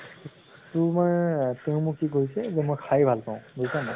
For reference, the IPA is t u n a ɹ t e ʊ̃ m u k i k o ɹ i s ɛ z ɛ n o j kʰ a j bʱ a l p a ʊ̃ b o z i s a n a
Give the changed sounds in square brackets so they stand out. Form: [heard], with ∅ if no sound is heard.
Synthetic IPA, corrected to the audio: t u [m] a ɹ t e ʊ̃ m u k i k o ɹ i s ɛ z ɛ [m] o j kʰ a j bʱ a l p a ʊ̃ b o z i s a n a